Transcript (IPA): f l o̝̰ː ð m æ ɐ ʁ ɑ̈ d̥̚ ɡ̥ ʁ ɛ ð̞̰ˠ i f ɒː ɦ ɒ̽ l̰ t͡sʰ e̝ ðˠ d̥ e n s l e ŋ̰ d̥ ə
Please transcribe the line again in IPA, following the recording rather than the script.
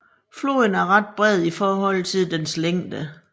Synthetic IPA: f l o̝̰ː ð n æ ɐ ʁ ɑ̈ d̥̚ b̥ ʁ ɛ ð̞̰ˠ i f ɒː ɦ ɒ̽ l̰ t͡sʰ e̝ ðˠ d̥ e n s l e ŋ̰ d̥ ə